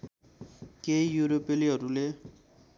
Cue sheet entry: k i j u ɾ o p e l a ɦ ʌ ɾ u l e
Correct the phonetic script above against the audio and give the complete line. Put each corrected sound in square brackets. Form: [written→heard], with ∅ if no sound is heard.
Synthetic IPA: k [i→e] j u ɾ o p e l [a→i] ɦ ʌ ɾ u l e